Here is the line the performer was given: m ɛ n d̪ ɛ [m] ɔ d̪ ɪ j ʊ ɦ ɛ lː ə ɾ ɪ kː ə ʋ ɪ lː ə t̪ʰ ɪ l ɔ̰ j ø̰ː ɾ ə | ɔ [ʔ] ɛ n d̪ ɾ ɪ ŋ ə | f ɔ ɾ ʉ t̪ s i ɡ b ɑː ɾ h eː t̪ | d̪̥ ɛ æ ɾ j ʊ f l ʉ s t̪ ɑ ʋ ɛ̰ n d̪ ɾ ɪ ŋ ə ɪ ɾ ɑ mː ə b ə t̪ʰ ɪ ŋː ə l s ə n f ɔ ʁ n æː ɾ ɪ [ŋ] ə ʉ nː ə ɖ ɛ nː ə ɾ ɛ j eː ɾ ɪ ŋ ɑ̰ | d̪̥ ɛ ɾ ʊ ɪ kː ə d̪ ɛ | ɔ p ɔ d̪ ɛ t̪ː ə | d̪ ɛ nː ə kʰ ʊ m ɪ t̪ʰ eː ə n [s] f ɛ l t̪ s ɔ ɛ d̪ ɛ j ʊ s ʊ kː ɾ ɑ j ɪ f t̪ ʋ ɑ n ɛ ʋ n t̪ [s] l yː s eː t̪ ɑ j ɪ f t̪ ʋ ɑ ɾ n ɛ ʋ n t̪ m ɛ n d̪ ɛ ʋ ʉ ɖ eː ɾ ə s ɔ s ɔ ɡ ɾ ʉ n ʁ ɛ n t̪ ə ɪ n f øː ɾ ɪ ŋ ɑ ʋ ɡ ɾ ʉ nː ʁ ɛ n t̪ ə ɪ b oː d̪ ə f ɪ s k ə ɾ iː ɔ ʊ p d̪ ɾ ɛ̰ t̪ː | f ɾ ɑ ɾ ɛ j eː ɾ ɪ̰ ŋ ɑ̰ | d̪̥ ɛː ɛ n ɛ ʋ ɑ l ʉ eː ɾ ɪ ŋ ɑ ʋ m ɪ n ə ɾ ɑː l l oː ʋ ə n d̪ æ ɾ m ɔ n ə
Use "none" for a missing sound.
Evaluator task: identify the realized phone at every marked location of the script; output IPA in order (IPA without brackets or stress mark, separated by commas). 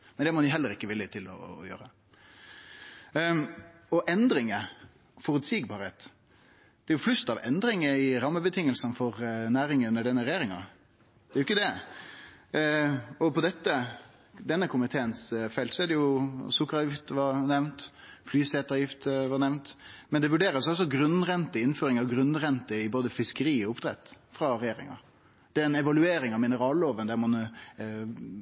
m, ʔ, ŋ, s, f